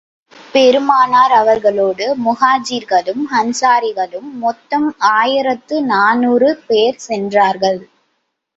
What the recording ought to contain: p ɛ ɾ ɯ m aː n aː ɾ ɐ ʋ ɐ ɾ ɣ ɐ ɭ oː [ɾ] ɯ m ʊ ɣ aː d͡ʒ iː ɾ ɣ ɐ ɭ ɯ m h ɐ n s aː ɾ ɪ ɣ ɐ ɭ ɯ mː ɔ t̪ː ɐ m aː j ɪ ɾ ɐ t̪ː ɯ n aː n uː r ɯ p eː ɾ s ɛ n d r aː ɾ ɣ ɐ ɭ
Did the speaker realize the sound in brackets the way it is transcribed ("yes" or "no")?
no